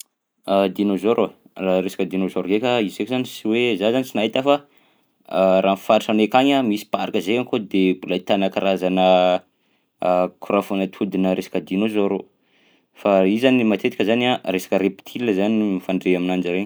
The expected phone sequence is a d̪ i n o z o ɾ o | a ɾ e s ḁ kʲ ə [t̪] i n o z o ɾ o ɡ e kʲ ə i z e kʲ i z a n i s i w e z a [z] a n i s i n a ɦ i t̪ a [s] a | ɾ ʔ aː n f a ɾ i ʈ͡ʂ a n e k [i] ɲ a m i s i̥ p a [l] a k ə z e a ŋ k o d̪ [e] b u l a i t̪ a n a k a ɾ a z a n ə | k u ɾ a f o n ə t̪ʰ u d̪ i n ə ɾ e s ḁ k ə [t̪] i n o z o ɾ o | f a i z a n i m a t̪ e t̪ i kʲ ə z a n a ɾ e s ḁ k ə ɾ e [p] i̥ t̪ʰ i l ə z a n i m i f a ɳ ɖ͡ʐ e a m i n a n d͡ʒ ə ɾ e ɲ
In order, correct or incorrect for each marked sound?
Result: incorrect, correct, incorrect, incorrect, incorrect, correct, incorrect, correct

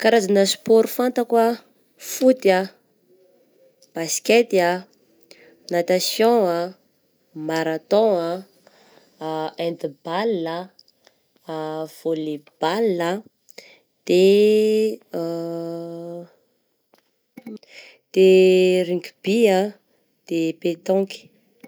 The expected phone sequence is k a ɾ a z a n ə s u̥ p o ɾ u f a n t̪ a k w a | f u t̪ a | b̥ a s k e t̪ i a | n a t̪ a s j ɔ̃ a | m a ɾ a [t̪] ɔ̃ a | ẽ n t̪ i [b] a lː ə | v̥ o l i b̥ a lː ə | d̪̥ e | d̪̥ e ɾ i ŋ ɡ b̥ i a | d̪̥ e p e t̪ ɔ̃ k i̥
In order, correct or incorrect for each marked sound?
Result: correct, correct

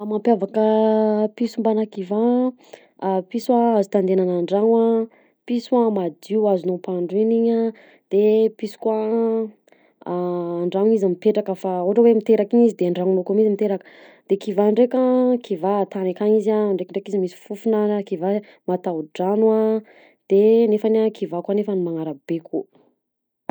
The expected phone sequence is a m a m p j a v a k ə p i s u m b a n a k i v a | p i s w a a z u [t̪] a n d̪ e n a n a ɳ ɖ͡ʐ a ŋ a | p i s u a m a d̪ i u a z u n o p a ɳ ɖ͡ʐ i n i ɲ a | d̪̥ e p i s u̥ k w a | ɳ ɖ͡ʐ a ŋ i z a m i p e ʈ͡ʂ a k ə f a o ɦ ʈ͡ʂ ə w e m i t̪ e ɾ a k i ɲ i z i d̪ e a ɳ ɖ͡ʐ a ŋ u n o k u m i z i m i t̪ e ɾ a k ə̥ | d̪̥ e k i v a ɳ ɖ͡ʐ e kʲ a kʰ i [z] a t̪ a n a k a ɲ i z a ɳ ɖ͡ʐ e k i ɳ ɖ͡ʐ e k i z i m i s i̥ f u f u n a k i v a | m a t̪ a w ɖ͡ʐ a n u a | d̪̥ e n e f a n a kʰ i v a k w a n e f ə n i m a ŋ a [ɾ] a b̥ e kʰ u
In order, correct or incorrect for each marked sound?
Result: correct, incorrect, correct

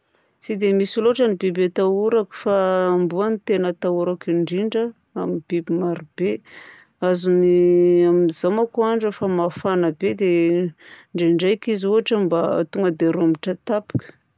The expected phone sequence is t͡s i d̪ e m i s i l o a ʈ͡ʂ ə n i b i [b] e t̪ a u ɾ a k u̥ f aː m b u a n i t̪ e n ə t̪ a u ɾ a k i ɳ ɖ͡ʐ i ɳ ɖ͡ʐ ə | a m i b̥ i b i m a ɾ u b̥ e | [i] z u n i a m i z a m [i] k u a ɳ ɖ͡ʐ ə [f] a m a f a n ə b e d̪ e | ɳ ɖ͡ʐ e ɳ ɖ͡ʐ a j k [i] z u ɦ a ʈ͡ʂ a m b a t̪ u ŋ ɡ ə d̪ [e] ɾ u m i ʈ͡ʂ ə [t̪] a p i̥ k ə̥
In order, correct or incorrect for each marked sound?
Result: correct, incorrect, incorrect, correct, correct, correct, correct

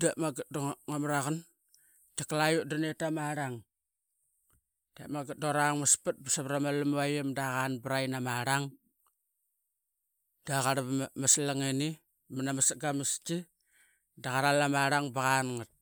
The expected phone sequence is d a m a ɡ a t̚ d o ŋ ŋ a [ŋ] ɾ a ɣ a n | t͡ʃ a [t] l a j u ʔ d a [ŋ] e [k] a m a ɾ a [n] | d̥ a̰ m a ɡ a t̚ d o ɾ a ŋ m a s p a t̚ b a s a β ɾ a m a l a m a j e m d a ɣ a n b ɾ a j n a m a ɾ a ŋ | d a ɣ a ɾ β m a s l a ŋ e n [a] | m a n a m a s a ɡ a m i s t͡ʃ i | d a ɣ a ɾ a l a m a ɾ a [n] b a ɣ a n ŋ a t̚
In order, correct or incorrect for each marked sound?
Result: incorrect, incorrect, incorrect, incorrect, incorrect, incorrect, incorrect

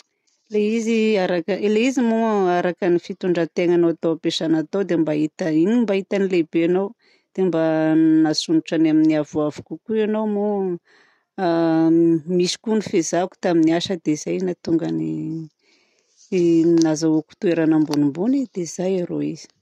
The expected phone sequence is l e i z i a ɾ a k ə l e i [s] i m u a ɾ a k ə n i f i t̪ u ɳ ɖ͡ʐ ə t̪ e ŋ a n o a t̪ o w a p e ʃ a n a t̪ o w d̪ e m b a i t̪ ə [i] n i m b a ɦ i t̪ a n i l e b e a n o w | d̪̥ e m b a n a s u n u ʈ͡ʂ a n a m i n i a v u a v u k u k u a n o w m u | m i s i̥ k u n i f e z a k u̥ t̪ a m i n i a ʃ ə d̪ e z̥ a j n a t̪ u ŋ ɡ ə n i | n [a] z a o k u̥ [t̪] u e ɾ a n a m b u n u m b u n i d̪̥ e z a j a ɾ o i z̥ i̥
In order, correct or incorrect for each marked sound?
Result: incorrect, correct, correct, correct

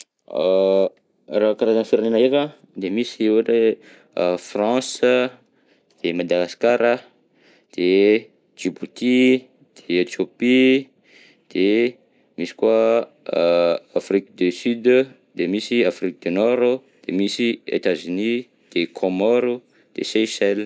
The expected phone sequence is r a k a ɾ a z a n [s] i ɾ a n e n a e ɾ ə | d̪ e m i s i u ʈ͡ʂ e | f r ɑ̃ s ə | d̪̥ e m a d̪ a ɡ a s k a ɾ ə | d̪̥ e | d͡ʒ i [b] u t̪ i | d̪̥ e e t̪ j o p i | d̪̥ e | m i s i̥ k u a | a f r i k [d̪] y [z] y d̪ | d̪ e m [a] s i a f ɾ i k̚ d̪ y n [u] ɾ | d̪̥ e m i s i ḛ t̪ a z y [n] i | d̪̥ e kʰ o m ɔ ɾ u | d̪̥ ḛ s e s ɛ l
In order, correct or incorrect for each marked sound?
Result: incorrect, correct, correct, incorrect, incorrect, incorrect, correct

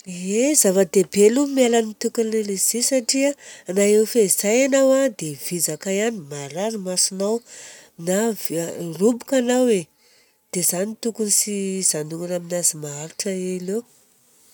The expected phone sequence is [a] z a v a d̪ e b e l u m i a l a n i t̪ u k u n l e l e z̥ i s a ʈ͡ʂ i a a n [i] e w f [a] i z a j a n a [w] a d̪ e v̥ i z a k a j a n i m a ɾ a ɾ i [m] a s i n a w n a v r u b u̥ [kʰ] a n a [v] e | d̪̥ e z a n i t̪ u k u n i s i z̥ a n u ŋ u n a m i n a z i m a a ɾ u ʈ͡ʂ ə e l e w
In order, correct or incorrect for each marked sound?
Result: incorrect, incorrect, incorrect, correct, correct, incorrect, incorrect

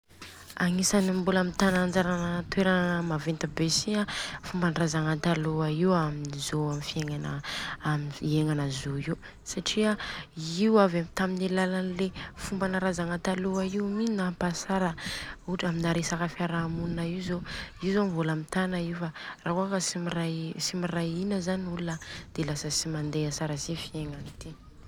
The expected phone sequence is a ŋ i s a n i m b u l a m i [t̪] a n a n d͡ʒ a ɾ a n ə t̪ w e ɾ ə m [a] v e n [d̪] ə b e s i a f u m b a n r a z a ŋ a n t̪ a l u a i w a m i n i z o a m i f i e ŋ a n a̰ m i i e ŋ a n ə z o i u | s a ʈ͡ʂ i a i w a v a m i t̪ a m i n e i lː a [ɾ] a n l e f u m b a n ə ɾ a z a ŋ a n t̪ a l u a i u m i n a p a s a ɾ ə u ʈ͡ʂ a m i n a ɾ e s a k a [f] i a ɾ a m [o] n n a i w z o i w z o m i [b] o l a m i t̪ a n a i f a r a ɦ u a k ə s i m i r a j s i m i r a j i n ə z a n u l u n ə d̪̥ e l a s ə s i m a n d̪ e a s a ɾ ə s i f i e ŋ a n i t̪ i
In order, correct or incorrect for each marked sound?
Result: correct, correct, incorrect, incorrect, correct, incorrect, incorrect

